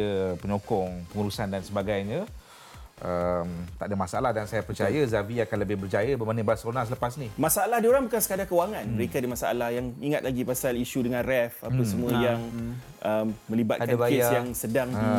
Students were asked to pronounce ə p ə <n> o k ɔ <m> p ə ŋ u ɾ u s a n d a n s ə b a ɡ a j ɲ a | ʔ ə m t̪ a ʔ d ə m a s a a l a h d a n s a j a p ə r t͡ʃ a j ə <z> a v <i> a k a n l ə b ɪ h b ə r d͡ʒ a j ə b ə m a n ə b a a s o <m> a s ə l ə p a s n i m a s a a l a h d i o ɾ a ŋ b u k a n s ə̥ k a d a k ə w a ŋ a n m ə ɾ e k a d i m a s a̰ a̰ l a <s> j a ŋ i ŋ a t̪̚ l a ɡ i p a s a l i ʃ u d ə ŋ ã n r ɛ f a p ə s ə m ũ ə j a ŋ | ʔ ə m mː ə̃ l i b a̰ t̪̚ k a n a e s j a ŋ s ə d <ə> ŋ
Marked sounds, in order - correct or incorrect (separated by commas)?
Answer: incorrect, incorrect, correct, correct, incorrect, incorrect, incorrect